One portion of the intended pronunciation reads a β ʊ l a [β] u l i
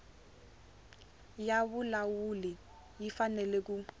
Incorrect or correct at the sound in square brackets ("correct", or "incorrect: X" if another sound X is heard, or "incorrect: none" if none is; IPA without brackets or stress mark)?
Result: incorrect: w